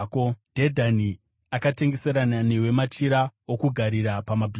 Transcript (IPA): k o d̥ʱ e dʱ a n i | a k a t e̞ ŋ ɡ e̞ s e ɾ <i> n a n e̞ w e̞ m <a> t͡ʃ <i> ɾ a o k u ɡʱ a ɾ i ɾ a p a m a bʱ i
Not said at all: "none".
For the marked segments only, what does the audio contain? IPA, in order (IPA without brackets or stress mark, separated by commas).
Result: a, a, i